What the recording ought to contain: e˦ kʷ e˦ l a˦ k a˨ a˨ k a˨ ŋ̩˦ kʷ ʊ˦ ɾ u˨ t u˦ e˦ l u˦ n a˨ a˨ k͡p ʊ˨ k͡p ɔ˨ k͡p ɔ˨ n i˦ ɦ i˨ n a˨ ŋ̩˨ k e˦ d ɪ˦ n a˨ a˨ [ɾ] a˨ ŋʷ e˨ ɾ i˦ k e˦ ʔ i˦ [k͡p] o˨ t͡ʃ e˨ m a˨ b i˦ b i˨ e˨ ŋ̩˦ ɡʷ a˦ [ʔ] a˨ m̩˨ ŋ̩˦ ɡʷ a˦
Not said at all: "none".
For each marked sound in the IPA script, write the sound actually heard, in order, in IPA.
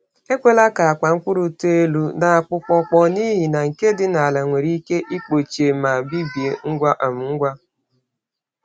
l, k͡p, ʔ

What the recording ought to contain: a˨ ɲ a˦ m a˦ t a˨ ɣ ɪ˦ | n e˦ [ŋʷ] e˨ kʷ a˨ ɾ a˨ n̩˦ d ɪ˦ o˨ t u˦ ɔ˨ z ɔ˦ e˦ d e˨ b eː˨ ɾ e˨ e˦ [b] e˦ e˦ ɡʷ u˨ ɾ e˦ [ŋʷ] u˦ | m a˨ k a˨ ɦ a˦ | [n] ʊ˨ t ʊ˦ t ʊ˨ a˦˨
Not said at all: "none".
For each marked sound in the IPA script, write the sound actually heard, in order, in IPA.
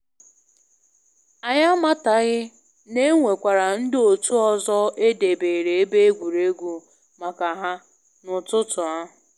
ŋʷ, b, ɡʷ, n

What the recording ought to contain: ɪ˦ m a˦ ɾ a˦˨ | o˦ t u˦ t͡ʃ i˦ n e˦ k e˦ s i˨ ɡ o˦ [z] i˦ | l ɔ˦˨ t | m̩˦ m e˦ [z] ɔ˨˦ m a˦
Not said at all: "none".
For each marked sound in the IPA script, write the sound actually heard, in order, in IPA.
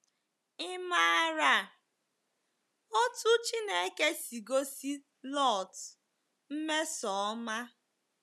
s, s

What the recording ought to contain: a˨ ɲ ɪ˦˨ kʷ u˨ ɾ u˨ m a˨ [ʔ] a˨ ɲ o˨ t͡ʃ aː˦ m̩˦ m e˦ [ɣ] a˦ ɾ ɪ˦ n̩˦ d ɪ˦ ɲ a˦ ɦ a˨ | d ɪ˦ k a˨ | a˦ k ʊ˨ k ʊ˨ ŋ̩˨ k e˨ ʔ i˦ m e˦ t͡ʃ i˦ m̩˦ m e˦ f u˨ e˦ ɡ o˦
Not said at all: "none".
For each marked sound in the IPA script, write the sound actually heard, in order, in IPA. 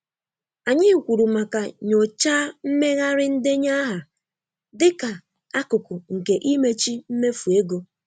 k, ɣ

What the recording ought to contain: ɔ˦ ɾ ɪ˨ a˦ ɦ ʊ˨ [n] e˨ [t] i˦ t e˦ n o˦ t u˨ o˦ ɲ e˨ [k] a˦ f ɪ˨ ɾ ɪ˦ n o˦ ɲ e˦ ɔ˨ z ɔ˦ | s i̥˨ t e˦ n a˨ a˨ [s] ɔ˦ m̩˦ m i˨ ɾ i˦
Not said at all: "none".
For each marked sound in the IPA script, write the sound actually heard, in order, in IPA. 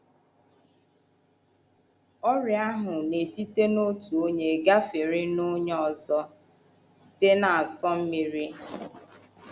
n, s, ɡ, s

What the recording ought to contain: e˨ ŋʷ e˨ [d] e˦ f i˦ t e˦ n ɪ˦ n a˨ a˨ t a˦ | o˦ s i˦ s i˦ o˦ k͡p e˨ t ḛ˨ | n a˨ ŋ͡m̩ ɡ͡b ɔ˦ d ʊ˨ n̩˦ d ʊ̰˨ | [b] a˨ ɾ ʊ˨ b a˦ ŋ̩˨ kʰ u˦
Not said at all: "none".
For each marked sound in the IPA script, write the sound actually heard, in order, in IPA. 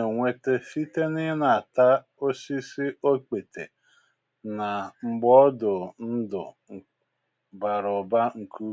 t, b

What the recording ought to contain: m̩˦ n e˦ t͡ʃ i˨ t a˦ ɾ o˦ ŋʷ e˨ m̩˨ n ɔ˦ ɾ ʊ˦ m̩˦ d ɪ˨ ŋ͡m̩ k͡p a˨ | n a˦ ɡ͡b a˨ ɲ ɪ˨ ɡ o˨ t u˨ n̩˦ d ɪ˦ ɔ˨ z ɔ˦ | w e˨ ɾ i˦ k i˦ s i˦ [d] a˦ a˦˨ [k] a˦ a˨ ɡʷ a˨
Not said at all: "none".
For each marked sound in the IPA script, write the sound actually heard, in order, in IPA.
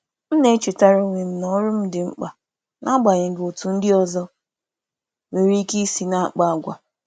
n, k͡p

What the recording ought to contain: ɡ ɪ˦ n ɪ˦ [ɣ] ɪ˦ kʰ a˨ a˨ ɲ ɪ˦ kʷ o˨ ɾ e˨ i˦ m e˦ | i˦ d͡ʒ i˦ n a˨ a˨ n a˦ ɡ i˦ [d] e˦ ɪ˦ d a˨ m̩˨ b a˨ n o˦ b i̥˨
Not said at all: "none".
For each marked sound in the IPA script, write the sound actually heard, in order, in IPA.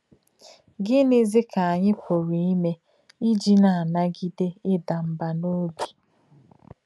z, d

